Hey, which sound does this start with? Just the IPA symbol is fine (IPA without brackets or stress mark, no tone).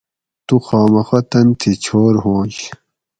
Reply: t̪